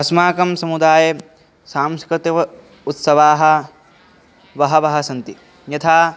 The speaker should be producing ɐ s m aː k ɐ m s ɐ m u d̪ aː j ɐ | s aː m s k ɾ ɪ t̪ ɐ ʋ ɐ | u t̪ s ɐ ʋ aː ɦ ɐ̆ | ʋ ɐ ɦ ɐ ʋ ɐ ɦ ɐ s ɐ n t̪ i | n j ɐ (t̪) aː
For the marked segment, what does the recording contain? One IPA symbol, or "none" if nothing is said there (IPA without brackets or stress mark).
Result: t̪ʰ